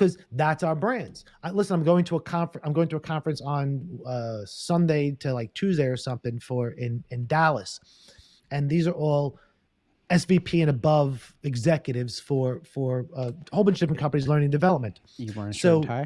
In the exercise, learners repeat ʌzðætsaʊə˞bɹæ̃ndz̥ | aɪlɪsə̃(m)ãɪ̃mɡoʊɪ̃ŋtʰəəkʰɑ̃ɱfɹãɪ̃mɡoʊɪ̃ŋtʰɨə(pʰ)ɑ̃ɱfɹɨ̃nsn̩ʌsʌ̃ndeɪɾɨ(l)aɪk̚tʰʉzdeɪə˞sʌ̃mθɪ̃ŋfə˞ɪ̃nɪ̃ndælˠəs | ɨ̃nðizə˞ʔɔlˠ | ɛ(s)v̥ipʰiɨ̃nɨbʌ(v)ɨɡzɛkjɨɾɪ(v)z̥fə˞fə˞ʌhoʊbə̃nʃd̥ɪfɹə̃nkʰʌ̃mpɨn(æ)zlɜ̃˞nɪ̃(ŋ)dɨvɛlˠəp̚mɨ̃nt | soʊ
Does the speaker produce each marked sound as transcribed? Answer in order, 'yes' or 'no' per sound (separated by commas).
no, no, yes, yes, yes, yes, no, yes